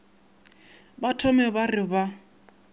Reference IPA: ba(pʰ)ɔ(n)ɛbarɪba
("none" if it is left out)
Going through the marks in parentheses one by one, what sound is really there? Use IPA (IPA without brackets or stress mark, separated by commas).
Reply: tʰ, m